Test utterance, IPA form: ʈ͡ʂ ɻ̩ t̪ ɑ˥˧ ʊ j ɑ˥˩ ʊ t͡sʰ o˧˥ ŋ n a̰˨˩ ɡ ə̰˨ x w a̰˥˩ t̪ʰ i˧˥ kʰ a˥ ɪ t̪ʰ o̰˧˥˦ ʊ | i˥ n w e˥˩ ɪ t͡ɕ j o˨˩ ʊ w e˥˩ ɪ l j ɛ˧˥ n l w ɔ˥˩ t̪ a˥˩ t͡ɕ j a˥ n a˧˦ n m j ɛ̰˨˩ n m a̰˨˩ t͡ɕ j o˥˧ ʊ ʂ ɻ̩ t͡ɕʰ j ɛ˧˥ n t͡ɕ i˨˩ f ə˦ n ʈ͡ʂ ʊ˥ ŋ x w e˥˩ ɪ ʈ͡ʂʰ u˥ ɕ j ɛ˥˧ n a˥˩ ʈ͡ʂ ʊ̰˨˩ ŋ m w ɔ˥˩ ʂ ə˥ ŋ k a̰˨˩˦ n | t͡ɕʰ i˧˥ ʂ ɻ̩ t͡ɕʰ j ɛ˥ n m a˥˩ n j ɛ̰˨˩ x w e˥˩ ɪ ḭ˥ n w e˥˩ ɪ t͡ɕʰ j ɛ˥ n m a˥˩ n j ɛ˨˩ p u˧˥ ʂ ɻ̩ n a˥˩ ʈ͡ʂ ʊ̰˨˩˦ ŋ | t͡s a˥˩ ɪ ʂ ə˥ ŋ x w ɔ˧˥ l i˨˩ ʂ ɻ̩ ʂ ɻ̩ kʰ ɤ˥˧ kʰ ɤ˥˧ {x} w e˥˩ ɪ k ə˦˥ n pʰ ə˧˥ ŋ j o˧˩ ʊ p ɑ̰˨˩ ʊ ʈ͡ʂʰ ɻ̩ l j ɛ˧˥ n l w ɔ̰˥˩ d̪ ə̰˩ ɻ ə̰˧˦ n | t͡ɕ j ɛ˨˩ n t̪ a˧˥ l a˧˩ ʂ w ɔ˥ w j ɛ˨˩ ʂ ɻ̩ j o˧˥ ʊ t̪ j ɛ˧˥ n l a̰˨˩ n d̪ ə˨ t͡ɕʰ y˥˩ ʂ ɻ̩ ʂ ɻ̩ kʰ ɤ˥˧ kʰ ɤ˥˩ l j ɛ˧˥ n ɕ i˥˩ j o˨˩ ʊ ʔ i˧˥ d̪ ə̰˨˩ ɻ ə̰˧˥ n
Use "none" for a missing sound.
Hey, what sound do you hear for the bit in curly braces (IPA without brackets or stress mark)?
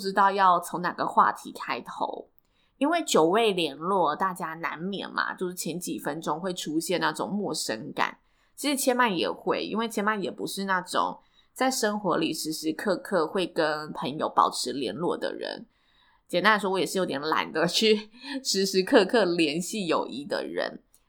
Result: x